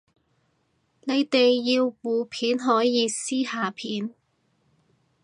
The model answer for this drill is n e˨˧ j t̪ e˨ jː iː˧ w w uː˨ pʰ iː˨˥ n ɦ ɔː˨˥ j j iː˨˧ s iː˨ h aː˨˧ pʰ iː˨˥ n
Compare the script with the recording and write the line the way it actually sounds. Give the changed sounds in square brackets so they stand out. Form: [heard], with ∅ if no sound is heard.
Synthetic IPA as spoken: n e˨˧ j t̪ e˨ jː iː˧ w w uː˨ pʰ iː˨˥ n ɦ ɔː˨˥ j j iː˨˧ s [iː˥] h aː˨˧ pʰ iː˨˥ n